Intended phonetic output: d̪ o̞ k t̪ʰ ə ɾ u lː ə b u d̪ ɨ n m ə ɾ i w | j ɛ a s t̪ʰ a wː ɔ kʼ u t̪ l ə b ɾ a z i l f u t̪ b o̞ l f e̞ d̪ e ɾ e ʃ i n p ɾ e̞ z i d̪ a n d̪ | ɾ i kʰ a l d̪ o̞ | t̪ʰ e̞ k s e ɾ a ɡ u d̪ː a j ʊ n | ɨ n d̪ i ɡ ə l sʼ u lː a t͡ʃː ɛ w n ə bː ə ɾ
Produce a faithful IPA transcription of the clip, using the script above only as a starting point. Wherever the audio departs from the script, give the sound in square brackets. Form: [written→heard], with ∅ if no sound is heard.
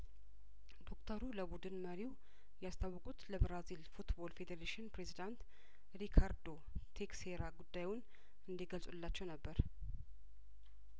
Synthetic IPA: d̪ o̞ k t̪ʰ ə ɾ u [lː→l] ə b u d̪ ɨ n m ə ɾ i w | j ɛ a s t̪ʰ a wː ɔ kʼ u t̪ l ə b ɾ a z i l f u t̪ b o̞ l f e̞ d̪ e ɾ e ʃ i n p ɾ e̞ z i d̪ a n [d̪→t̪] | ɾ i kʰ a [l→ɾ] d̪ o̞ | t̪ʰ e̞ k s e ɾ a ɡ u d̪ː a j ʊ n | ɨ n d̪ i ɡ ə l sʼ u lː a t͡ʃː ɛ w n ə bː ə ɾ